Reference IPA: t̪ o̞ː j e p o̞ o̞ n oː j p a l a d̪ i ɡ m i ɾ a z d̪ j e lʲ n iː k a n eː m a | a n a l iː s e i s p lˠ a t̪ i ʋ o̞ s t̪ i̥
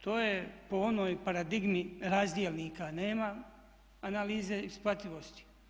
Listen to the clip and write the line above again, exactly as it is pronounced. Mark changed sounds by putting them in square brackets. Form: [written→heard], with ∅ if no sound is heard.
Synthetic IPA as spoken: t̪ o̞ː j e p o̞ o̞ n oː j p a [l→ɾ] a d̪ i ɡ m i ɾ a z d̪ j e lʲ n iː k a n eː m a | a n a l iː [s→z] e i s p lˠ a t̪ i ʋ o̞ s t̪ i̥

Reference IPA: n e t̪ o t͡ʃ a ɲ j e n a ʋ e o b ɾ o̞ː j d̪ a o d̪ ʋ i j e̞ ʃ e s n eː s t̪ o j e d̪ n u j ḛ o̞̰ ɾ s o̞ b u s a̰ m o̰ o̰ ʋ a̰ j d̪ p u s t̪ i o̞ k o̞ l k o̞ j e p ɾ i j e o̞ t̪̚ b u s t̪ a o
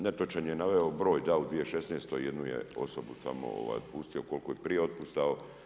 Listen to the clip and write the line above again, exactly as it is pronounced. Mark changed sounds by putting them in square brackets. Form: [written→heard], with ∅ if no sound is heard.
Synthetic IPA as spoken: n e t̪ o t͡ʃ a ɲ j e n a ʋ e o b ɾ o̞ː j d̪ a [o→u] d̪ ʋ i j e̞ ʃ e s n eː s t̪ o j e d̪ n u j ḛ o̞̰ [ɾ→∅] s o̞ b u s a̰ m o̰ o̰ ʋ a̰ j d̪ p u s t̪ i o̞ k o̞ l k o̞ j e p ɾ i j e o̞ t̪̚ [b→p] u s t̪ a o

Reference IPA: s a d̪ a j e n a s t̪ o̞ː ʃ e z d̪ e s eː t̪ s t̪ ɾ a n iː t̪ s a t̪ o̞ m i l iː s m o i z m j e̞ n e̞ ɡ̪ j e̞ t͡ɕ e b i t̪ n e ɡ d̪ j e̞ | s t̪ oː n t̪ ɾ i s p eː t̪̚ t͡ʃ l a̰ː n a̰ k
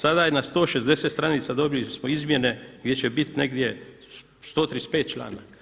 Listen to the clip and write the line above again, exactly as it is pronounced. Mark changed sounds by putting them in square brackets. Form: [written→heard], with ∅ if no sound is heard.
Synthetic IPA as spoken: s a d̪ a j e n a s t̪ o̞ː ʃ e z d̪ e s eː t̪ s t̪ ɾ a n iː t̪ s a [t̪→d̪] o̞ [m→b] i l [iː→i] s m o i z m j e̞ n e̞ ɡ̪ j e̞ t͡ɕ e b i t̪ n e ɡ d̪ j e̞ | s t̪ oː [n→∅] t̪ ɾ i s p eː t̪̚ t͡ʃ l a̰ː n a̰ k

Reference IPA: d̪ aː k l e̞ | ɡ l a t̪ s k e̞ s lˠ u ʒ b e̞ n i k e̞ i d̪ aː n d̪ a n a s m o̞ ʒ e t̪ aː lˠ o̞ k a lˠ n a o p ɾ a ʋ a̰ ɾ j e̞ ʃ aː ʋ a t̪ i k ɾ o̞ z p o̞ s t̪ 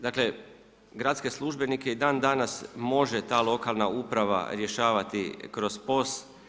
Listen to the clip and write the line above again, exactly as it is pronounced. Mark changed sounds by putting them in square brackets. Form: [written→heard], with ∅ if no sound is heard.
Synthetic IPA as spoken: d̪ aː k l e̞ | ɡ [l→ɾ] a t̪ s k e̞ s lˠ u ʒ b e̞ n i k e̞ i d̪ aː n d̪ a n a s m o̞ ʒ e t̪ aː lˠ o̞ k a lˠ n a [o→u] p ɾ a ʋ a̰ ɾ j e̞ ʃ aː ʋ a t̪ i k ɾ o̞ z p o̞ s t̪

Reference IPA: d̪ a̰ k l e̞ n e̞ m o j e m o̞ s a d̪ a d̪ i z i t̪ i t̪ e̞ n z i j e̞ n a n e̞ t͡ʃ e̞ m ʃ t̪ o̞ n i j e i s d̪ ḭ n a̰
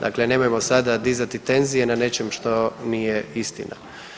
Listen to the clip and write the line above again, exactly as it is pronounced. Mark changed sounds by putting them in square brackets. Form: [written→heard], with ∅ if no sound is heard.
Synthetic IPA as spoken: d̪ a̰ k l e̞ n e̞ m o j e m o̞ s a d̪ a d̪ i z [i→a] t̪ i t̪ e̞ n z i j e̞ n a n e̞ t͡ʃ e̞ m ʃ t̪ o̞ n i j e i s [d̪→t̪] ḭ n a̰

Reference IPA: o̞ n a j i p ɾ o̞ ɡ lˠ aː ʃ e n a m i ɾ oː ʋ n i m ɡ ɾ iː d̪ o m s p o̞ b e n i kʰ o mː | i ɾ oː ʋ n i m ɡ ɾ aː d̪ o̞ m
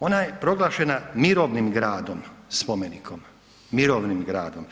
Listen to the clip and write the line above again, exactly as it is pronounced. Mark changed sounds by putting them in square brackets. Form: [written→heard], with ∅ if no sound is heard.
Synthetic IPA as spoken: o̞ n a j [i→e] p ɾ o̞ ɡ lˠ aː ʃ e n a m i ɾ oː ʋ n i m ɡ ɾ [iː→aː] d̪ o m s p o̞ [b→m] e n i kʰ o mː | i ɾ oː ʋ n i m ɡ ɾ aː d̪ o̞ m

